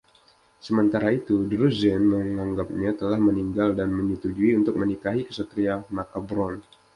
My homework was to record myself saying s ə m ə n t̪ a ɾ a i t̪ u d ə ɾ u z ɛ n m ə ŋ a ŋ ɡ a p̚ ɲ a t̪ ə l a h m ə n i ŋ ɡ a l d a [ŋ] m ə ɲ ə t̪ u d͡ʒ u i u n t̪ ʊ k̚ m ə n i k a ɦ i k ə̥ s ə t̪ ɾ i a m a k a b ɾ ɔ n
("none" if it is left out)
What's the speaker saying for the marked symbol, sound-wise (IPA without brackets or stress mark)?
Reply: n